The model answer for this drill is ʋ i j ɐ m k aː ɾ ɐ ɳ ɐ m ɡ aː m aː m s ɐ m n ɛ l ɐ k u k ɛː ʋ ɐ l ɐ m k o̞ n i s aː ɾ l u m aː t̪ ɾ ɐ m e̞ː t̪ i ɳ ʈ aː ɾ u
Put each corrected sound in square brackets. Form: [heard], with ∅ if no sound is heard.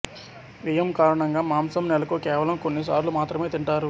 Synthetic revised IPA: ʋ i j ɐ m k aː ɾ ɐ ɳ ɐ [ŋ] ɡ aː m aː m s ɐ m n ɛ l ɐ k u k ɛː ʋ ɐ l ɐ m k o̞ [nː] i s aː ɾ l u m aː t̪ ɾ ɐ m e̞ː t̪ i ɳ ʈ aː ɾ u